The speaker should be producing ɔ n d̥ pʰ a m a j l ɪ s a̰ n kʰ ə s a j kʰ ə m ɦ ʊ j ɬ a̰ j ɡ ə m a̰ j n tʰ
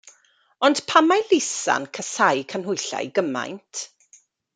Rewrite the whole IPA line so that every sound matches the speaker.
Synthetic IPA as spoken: ɔ n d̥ pʰ a m a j l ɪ s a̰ n kʰ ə s a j kʰ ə n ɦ ʊ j ɬ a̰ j ɡ ə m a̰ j n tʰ